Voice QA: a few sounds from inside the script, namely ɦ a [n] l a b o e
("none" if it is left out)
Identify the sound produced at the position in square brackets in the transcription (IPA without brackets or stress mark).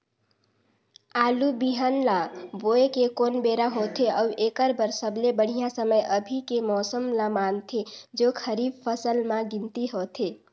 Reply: n